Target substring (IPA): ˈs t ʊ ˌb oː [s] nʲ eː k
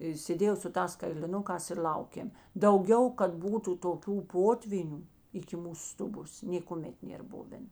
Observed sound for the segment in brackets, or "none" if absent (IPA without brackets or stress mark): s